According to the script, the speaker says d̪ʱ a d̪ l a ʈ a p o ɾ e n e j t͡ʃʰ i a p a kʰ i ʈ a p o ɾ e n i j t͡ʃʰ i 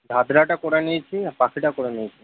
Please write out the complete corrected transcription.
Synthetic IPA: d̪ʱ a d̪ ɾ a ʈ a k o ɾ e n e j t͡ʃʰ i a p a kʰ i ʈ a k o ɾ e n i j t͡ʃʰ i